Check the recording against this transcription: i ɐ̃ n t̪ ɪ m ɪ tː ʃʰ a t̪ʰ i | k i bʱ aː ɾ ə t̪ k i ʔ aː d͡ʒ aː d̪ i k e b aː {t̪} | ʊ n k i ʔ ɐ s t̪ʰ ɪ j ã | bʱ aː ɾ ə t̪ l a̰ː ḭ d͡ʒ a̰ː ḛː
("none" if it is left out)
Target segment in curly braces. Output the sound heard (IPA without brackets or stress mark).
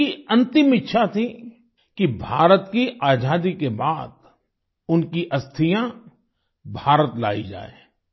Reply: d̪